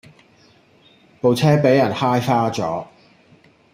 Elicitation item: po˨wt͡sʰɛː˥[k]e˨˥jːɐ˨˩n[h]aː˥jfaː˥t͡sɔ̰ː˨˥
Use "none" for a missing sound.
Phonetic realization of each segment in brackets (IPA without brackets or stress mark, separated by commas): p, h